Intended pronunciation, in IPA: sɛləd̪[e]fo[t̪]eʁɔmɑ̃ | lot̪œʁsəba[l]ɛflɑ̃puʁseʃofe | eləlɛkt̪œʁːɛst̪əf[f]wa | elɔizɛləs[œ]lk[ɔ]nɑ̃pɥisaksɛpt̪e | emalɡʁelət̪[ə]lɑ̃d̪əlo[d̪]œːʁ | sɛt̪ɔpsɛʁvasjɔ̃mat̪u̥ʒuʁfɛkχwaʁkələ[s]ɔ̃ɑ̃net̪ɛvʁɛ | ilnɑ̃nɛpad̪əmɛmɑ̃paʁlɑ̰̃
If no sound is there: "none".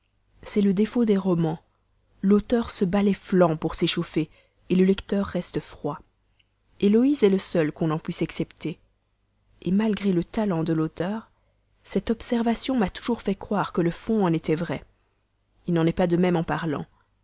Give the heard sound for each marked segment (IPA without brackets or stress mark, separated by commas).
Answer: e, d̪, l, χ, œ, ɔ̃, a, t̪, f